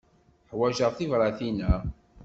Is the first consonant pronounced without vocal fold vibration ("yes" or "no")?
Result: yes